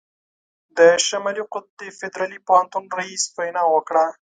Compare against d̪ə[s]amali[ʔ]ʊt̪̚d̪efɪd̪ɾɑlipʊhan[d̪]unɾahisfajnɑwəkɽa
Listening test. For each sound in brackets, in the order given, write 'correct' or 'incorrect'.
incorrect, incorrect, incorrect

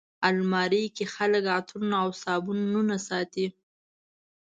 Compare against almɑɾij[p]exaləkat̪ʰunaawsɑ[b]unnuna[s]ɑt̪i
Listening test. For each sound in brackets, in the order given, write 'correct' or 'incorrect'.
incorrect, correct, correct

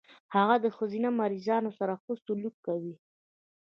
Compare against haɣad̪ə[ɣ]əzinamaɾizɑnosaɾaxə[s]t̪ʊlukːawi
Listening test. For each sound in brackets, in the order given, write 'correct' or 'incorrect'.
incorrect, correct

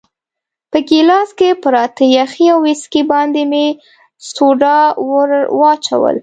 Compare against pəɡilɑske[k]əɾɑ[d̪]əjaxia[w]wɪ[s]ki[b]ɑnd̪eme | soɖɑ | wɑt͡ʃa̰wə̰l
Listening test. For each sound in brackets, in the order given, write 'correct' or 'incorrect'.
incorrect, incorrect, correct, correct, correct

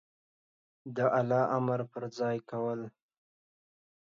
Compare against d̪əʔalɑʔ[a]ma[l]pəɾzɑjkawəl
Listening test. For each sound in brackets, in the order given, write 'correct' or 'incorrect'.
correct, incorrect

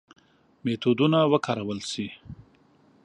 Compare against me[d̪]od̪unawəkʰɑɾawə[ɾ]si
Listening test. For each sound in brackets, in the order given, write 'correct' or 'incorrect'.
incorrect, incorrect

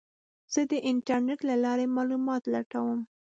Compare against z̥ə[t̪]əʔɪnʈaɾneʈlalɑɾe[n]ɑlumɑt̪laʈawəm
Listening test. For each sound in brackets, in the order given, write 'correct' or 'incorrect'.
incorrect, incorrect

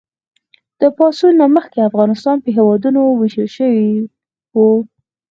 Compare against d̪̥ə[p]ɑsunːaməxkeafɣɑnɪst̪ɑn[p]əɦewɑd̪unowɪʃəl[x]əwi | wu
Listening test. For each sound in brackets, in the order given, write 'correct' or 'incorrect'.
correct, correct, incorrect

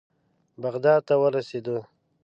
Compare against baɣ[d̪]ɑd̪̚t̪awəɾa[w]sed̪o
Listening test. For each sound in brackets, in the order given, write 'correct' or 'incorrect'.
correct, incorrect

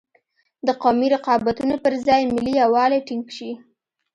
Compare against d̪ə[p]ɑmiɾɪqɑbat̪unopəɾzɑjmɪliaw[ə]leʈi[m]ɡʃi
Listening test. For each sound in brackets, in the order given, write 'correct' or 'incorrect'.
incorrect, incorrect, incorrect

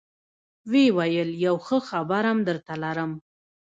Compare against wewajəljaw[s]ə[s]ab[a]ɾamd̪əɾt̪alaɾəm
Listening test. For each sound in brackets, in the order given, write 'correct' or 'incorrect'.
incorrect, incorrect, correct

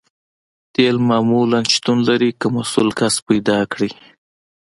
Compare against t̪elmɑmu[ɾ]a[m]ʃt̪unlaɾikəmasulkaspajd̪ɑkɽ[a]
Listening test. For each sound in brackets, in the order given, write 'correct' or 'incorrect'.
incorrect, incorrect, incorrect

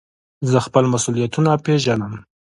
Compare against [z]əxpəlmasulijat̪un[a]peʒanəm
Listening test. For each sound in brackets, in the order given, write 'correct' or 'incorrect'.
correct, correct

